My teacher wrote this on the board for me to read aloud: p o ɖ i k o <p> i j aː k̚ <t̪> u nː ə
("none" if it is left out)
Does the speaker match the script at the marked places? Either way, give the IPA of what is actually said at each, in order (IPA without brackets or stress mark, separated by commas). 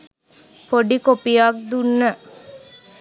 p, d̪